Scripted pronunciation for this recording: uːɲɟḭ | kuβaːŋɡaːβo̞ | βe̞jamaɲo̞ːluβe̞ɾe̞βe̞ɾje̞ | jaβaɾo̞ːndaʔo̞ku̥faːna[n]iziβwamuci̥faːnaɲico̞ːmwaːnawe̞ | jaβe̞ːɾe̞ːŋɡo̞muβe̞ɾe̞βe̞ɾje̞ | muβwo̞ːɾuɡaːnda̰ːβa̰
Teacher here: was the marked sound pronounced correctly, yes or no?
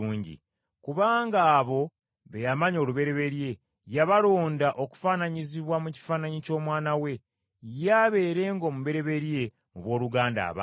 no